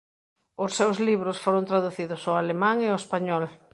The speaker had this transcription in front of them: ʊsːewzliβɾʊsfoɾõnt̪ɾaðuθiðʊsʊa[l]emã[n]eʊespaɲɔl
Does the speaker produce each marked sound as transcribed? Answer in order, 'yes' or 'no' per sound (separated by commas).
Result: yes, no